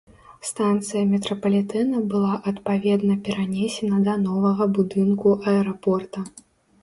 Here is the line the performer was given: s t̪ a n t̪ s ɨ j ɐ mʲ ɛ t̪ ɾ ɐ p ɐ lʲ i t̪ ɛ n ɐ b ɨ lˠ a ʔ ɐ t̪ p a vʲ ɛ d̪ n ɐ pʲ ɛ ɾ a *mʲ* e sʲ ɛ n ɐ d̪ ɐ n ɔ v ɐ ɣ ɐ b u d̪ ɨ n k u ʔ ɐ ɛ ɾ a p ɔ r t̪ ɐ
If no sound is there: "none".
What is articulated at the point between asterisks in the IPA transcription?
nʲ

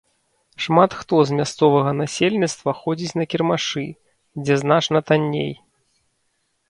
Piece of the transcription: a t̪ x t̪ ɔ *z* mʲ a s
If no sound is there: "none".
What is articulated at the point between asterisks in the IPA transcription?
z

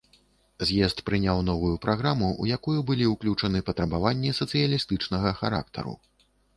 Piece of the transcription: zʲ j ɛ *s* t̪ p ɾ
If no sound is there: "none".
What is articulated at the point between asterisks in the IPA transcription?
s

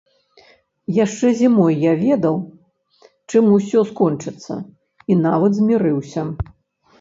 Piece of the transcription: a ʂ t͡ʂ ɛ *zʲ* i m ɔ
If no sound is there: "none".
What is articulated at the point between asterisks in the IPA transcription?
zʲ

